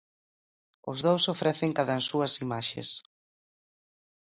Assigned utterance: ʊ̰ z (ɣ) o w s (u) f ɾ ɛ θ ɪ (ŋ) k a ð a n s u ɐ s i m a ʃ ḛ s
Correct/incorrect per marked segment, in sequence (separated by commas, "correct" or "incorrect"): incorrect, incorrect, correct